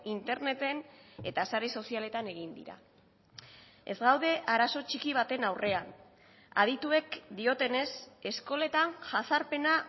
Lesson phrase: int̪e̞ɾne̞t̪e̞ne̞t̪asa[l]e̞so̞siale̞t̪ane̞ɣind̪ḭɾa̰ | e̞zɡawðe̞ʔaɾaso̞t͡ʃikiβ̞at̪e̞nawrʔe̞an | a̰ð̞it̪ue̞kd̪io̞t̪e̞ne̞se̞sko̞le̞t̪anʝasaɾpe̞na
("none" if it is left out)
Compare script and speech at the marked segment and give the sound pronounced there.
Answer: ɾ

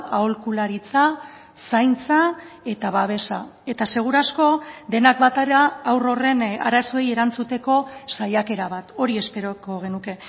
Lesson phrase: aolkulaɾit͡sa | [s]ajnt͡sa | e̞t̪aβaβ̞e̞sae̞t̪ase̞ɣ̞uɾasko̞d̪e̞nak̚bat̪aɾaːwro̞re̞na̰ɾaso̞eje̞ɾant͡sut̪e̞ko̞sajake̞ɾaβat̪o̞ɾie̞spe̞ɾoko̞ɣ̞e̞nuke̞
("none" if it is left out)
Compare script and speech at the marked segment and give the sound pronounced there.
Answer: s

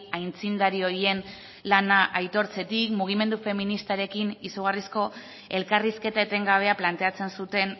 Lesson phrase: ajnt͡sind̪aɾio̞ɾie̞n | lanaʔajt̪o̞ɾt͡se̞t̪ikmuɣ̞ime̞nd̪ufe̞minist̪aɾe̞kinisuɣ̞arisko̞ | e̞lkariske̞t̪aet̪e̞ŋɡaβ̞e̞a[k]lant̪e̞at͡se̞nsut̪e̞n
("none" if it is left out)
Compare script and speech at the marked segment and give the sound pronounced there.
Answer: p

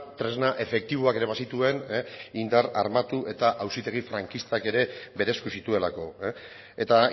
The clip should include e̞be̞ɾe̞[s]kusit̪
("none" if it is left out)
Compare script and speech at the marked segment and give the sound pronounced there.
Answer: s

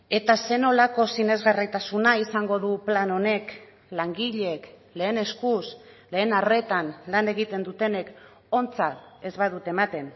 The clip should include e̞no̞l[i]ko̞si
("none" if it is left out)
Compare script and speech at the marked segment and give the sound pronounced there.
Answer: a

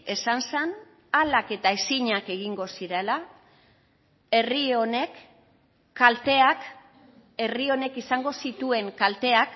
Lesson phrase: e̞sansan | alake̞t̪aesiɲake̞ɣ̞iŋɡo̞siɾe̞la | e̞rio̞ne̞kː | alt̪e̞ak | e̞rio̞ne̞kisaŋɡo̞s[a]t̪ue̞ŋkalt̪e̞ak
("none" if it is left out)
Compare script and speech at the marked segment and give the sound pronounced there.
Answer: i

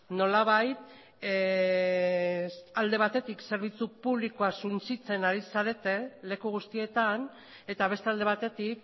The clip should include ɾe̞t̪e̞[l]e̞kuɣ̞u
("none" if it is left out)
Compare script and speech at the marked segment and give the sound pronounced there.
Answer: l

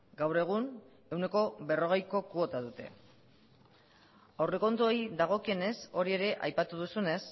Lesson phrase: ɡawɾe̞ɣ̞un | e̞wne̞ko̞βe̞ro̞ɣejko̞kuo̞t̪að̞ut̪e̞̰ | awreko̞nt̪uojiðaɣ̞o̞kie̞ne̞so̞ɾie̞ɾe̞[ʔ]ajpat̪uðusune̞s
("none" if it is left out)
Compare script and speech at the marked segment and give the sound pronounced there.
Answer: ʔ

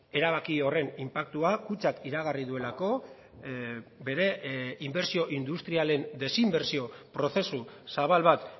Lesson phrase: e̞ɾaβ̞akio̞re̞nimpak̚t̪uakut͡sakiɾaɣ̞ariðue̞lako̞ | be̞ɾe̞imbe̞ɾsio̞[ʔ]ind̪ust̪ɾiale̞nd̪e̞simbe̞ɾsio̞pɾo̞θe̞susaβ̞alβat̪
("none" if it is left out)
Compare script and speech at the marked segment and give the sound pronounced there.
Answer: ʔ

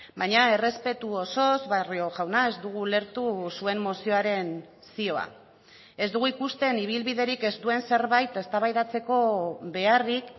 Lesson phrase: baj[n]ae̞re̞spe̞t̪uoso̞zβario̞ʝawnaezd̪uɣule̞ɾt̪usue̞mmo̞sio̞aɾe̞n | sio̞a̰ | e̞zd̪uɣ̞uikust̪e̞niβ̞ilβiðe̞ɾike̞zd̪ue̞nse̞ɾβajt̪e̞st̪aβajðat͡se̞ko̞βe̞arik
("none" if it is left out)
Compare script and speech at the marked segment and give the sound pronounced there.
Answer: ɲ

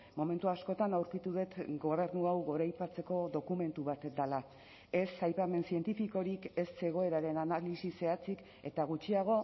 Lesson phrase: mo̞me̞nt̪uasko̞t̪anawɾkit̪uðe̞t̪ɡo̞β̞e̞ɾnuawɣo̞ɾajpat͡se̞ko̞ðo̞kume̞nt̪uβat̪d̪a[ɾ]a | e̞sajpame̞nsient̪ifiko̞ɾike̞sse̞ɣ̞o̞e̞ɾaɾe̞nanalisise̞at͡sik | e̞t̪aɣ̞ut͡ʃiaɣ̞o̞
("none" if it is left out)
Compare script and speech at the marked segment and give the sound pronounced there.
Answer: l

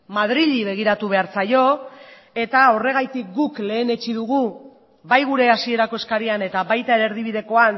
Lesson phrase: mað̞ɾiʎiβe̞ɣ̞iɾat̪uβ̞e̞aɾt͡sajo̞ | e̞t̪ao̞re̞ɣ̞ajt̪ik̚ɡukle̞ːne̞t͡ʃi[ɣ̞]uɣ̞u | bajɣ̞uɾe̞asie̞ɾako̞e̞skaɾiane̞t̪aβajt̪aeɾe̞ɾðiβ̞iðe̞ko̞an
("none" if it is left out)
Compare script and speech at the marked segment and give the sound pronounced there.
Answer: ð̞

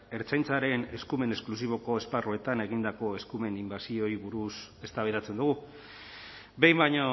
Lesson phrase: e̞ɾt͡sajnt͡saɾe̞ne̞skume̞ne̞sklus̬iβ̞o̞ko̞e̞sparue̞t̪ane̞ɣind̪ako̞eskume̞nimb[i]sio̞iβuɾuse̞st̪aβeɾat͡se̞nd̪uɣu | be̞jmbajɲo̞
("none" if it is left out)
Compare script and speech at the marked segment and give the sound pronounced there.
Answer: a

